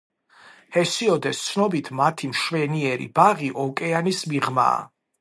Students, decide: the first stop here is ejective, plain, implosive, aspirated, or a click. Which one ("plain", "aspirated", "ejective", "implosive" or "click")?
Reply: plain